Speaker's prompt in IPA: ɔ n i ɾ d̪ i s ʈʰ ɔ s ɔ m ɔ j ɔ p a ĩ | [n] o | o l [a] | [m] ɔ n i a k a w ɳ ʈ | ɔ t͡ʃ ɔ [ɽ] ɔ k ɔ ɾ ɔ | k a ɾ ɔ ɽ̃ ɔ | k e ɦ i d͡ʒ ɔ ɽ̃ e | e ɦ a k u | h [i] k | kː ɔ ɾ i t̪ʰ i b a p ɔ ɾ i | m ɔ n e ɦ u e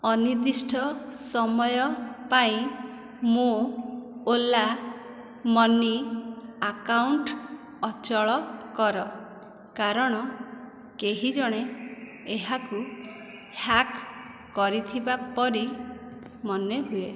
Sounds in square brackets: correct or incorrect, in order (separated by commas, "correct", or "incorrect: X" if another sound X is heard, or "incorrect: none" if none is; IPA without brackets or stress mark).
incorrect: m, correct, correct, incorrect: ɭ, incorrect: a